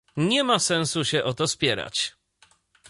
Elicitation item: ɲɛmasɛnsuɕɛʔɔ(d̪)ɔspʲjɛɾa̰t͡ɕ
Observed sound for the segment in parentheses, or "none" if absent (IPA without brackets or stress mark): t̪